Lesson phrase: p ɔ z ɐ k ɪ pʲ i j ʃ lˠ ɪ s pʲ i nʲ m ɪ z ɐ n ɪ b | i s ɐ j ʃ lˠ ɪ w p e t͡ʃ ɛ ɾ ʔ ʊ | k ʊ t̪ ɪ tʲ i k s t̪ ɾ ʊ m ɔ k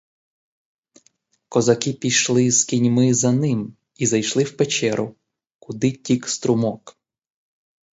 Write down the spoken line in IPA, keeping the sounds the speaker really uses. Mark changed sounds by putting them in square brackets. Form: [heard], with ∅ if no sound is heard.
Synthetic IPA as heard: [k] ɔ z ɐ k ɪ pʲ i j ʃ lˠ ɪ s [kʲ] i nʲ m ɪ z ɐ n ɪ [m] | i [z] ɐ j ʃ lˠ ɪ w p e t͡ʃ ɛ ɾ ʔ ʊ | k ʊ [d̪] ɪ tʲ i k s t̪ ɾ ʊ m ɔ k